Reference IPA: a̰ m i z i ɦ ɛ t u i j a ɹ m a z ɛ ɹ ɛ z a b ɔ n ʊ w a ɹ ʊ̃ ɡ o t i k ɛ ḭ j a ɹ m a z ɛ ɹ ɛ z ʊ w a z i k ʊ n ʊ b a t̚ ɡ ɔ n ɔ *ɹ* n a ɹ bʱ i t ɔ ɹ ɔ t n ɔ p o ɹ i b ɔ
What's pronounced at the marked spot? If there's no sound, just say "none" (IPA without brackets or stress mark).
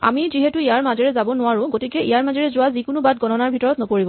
none